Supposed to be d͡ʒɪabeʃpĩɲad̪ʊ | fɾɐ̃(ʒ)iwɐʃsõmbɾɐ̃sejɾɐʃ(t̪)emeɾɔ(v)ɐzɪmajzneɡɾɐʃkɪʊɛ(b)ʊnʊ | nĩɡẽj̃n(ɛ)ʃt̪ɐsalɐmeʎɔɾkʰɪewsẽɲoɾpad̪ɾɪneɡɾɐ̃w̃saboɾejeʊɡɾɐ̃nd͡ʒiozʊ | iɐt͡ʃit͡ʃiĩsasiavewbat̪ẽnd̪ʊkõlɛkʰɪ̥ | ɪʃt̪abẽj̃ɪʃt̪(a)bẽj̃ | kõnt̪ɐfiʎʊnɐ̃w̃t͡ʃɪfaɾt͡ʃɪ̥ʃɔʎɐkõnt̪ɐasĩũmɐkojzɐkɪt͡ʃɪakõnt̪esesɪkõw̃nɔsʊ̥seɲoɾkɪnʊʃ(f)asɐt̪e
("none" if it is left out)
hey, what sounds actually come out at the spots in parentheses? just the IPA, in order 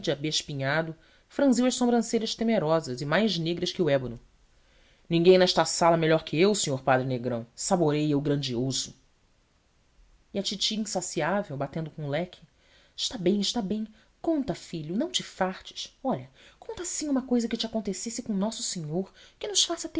z, t̪, z, b, ɛ, a, f

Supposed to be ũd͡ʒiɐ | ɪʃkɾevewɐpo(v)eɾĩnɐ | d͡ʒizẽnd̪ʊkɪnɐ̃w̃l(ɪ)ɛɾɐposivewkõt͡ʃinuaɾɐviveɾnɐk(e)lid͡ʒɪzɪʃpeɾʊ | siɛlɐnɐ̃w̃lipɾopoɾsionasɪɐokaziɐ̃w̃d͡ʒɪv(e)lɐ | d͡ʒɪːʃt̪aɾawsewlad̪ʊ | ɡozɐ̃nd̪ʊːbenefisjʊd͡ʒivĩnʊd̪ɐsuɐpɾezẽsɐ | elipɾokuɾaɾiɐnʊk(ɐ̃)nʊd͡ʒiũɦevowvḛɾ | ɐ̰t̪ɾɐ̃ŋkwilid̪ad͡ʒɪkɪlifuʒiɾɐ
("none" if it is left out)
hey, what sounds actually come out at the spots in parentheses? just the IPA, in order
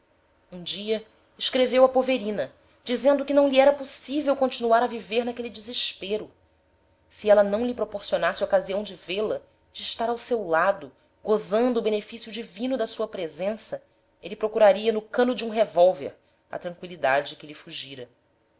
v, i, e, e, ɐ̃

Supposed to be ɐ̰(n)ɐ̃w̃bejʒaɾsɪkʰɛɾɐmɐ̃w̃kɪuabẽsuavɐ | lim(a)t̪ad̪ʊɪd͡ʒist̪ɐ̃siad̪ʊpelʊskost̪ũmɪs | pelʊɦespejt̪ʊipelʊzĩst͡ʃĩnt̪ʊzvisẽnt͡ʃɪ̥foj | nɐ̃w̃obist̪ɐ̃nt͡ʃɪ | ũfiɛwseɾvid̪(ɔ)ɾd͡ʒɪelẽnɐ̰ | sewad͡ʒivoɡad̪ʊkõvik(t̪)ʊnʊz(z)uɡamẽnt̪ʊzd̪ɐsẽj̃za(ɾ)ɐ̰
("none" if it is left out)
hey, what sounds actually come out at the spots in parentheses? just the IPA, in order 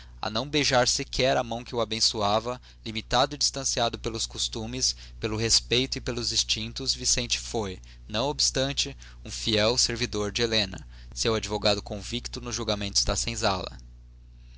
n, i, o, t̪, ʒ, l

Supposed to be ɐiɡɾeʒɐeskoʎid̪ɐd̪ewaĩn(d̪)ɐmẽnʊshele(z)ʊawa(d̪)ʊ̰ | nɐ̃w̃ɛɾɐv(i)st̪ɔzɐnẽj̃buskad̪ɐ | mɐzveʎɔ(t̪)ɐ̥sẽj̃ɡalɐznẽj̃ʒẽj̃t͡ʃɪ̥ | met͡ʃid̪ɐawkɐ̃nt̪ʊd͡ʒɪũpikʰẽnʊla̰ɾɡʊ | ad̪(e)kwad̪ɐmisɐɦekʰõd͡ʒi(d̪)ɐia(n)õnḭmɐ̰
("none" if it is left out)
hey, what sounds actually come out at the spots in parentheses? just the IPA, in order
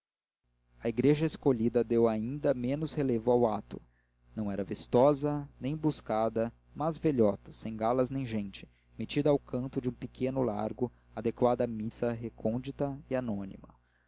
d̪, v, t̪, i, t̪, e, t̪, n

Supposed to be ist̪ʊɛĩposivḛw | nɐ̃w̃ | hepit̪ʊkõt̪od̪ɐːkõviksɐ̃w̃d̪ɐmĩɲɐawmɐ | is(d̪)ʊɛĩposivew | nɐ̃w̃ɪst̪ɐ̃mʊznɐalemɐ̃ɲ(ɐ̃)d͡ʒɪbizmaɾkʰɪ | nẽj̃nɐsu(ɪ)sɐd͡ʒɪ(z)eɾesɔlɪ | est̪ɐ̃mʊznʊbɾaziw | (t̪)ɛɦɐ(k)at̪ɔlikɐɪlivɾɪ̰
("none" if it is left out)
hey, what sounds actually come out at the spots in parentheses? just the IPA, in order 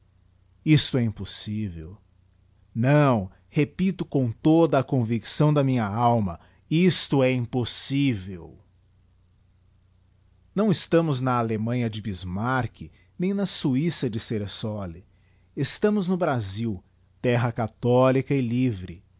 t̪, ɐ, i, s, t̪, k

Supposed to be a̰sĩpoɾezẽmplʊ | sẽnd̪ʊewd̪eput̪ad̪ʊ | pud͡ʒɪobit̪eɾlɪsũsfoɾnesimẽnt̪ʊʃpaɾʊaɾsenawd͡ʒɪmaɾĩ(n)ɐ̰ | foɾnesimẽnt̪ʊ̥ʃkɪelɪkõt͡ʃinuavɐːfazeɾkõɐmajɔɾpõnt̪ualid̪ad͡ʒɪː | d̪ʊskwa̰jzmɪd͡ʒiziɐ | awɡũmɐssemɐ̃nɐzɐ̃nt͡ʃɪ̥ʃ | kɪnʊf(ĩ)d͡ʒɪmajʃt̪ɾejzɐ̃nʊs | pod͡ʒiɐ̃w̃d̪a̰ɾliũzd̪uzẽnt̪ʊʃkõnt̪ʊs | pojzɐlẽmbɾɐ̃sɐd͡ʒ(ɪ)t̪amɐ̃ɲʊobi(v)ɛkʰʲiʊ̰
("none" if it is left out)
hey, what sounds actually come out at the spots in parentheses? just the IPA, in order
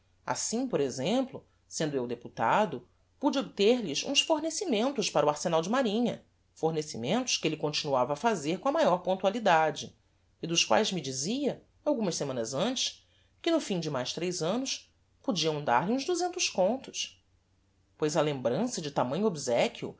ɲ, ĩ, ɪ, z

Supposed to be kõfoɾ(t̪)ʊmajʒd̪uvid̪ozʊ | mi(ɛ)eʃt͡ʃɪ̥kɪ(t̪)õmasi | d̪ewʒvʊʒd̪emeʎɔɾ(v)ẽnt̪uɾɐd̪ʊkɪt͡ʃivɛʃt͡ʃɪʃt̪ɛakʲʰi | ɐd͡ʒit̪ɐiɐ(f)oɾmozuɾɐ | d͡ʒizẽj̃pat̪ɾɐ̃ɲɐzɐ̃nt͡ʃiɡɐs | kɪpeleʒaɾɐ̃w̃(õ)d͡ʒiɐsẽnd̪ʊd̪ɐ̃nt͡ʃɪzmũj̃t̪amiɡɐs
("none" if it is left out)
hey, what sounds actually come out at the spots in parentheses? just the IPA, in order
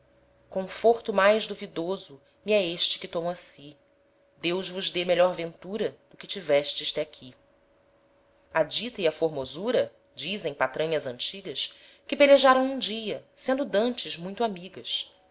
t̪, ɛ, t̪, v, f, ũ

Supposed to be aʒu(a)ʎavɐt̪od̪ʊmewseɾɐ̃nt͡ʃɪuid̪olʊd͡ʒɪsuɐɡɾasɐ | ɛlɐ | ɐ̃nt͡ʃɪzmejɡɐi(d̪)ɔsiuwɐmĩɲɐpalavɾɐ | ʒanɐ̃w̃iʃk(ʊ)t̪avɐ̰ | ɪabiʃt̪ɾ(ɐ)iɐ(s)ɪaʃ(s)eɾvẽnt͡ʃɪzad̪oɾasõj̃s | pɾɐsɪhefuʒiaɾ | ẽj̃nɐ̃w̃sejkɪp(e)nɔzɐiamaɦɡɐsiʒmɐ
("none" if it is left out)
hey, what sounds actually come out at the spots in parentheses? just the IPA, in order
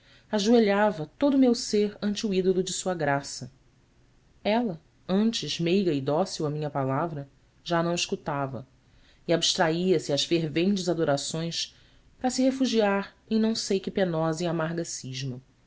e, d̪, u, a, s, f, e

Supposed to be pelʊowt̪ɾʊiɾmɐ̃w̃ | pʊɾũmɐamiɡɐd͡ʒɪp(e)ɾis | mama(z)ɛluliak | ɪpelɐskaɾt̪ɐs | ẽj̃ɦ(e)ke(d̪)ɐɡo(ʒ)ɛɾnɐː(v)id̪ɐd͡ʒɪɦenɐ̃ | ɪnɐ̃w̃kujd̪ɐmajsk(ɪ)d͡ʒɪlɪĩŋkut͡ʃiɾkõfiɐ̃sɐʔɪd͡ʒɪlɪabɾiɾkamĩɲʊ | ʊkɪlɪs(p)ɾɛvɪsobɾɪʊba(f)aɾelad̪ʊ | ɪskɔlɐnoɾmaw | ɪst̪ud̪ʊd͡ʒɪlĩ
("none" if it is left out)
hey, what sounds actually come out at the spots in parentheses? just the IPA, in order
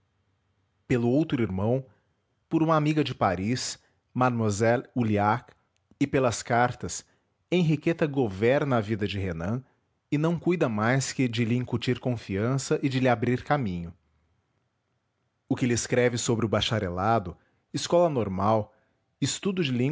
a, z, i, t̪, v, v, ɪ, k, ʃ

